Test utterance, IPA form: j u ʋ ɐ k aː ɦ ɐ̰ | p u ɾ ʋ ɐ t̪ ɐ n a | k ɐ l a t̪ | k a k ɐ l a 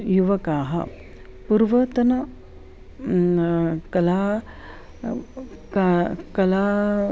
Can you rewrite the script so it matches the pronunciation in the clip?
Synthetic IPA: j u ʋ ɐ k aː ɦ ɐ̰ | p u ɾ ʋ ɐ t̪ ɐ n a | k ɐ l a | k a k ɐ l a